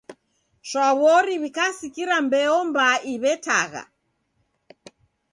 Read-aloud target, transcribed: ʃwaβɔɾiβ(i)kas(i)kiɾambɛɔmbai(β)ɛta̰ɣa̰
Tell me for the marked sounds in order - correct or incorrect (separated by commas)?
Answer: correct, correct, correct